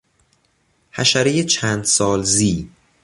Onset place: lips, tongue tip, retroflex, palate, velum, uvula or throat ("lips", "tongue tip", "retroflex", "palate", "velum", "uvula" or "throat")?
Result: throat